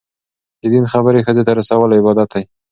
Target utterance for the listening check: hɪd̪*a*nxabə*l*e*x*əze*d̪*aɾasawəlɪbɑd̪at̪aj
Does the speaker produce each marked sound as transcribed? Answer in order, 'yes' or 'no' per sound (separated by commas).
no, no, yes, no